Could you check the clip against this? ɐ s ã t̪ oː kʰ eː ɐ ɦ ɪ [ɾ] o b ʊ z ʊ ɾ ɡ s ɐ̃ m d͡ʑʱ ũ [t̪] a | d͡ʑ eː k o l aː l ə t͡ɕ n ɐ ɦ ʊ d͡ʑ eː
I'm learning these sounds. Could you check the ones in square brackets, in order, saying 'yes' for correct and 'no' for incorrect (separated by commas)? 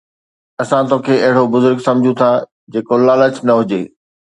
no, no